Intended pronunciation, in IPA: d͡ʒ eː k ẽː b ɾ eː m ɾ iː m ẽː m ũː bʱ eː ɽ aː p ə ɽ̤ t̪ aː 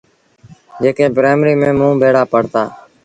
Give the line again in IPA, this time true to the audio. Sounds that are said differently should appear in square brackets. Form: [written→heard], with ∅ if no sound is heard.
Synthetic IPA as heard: d͡ʒ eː k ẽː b ɾ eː m ɾ iː m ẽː m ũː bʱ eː ɽ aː p ə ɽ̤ t̪ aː